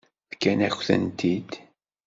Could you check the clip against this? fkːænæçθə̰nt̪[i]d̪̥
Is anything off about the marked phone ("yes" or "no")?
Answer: no